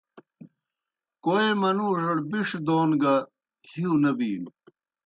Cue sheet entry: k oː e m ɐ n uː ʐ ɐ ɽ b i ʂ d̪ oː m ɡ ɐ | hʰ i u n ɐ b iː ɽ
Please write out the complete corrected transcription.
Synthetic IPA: k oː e m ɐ n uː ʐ ɐ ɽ b i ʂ d̪ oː n ɡ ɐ | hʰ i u n ɐ b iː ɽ